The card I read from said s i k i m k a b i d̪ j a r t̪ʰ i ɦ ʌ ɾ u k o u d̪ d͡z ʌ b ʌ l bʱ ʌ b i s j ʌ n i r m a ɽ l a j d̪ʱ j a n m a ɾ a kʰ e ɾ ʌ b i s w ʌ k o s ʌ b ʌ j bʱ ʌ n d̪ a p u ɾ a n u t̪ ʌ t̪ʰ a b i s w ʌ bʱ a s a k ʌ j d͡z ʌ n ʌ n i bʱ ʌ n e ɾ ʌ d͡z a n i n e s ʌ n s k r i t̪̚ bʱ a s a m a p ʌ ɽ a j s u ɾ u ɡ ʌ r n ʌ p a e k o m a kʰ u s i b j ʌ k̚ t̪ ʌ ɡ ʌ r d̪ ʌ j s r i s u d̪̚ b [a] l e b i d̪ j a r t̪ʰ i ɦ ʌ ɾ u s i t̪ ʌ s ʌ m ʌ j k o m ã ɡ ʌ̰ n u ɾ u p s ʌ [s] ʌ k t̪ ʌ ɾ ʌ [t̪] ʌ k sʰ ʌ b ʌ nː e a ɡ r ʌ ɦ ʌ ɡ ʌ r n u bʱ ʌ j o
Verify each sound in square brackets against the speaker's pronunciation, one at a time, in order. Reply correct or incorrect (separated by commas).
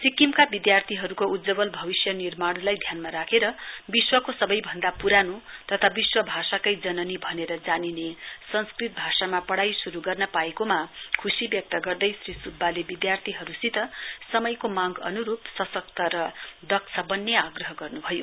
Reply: correct, correct, incorrect